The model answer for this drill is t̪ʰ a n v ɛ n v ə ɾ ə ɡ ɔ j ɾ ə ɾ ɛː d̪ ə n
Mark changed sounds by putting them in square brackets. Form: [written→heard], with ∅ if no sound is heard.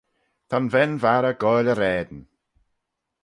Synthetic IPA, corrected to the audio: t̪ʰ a n v ɛ n v [ə→a] ɾ ə ɡ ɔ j [ɾ→l] ə ɾ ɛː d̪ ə n